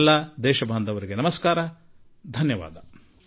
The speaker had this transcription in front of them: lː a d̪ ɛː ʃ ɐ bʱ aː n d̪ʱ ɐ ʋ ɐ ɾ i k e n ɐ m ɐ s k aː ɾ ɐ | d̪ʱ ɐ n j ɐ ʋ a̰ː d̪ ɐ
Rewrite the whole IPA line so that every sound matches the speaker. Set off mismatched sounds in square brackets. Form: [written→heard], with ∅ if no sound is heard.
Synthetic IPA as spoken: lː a d̪ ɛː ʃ ɐ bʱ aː n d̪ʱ ɐ ʋ ɐ ɾ i [k→ɡ] e n ɐ m ɐ s k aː ɾ ɐ | d̪ʱ ɐ n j ɐ ʋ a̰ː d̪ ɐ